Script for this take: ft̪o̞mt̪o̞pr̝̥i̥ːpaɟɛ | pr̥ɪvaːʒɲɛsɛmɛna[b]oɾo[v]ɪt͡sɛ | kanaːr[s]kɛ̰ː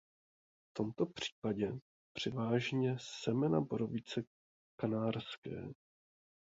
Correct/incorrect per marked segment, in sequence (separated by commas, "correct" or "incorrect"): correct, correct, correct